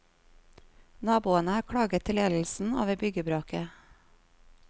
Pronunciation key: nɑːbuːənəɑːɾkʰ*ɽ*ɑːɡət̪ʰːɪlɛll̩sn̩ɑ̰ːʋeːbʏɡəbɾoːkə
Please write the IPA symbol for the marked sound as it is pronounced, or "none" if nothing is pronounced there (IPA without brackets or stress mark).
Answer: ɽ